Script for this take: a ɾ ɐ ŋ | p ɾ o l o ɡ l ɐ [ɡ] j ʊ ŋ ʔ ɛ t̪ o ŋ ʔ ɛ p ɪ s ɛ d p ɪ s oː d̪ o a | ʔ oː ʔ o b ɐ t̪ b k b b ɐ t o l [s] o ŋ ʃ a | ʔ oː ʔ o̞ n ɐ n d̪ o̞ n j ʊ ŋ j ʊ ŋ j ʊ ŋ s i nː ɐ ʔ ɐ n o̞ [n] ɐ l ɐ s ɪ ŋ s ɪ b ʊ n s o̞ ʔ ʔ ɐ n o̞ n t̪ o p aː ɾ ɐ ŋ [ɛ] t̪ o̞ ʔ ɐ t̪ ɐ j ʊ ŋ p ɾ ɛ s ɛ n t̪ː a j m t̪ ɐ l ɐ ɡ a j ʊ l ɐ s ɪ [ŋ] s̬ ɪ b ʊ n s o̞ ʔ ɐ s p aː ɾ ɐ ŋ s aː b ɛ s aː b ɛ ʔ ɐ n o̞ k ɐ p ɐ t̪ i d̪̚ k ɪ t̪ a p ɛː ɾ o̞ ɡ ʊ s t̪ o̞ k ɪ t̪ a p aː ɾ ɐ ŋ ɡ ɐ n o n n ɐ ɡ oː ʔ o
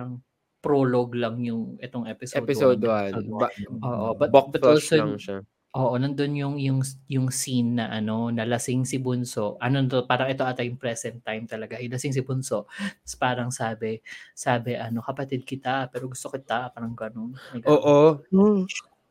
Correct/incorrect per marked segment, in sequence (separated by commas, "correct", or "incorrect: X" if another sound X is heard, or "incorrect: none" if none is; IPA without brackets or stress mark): incorrect: ŋ, correct, correct, correct, correct